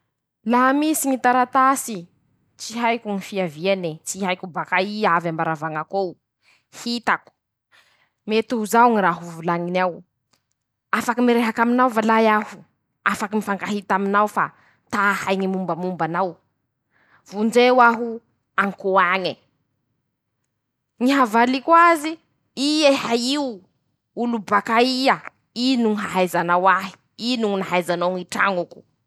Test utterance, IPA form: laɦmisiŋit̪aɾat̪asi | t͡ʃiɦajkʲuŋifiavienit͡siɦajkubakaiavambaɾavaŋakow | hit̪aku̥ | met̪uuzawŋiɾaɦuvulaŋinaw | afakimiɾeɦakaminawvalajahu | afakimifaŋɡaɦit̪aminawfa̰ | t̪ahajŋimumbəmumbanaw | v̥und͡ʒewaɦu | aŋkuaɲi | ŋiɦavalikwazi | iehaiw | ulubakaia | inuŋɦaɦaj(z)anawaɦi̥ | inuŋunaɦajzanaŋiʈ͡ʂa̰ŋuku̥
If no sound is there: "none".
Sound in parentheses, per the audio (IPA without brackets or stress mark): z